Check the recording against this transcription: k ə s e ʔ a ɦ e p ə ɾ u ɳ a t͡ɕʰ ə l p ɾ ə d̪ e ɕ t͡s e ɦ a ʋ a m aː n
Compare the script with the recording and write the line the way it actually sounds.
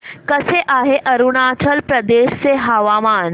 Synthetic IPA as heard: k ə s e ʔ a ɦ e ʔ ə ɾ u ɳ a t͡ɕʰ ə l p ɾ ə d̪ e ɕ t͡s e ɦ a ʋ a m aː n

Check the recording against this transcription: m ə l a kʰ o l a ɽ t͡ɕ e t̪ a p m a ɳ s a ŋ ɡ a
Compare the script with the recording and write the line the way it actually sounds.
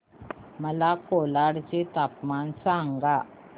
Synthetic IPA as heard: m ə l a k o l a ɽ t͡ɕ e t̪ a p m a n s a ŋ ɡ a

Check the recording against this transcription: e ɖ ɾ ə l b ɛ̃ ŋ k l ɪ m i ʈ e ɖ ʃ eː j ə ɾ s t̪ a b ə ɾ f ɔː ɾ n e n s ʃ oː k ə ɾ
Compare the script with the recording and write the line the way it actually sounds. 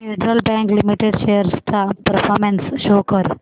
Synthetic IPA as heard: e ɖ ɾ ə l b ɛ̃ ŋ k l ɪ m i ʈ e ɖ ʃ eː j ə ɾ s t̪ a p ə ɾ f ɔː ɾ m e n s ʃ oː k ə ɾ

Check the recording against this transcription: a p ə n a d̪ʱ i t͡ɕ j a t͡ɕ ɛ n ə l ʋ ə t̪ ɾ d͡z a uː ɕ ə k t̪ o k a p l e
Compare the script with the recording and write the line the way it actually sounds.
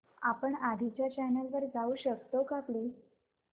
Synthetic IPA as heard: a p ə ɳ a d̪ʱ i t͡ɕ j a t͡ɕ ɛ n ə l ʋ ə ɾ d͡z a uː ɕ ə k t̪ o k a p l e

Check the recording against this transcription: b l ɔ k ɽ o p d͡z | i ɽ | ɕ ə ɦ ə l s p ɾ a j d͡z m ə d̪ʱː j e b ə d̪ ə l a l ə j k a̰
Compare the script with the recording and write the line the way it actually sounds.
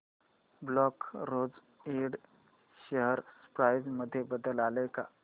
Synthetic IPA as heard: b l ɔ k ɾ o d͡z | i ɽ | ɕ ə ɦ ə ɾ s p ɾ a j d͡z m ə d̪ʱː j e b ə d̪ ə l a l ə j k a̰

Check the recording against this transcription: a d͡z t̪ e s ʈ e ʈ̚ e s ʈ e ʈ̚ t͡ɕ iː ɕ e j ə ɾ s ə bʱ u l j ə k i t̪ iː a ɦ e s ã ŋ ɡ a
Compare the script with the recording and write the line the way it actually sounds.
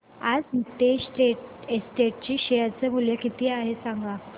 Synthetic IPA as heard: a d͡z t̪ e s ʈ e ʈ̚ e s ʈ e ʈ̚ t͡ɕ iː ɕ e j ə ɾ t͡s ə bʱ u l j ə k i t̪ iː a ɦ e s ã ŋ ɡ a

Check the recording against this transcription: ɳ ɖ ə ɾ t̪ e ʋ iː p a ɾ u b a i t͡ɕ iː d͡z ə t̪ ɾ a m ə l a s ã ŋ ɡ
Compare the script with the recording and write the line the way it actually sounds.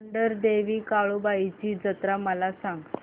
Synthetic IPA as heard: ɳ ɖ ə ɾ d̪ e ʋ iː k a ɭ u b a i t͡ɕ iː d͡z ə t̪ ɾ a m ə l a s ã ŋ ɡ

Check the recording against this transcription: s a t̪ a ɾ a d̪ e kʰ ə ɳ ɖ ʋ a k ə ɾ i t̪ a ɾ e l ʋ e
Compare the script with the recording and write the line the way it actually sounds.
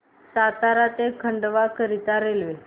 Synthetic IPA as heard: s a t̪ a ɾ a t̪ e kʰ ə ɳ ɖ ʋ a k ə ɾ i t̪ a ɾ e l ʋ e

